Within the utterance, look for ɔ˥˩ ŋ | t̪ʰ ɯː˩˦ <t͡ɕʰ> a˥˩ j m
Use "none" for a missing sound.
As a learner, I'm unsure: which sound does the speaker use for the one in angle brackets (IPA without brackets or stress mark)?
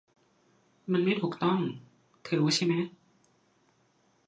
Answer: t͡ɕʰ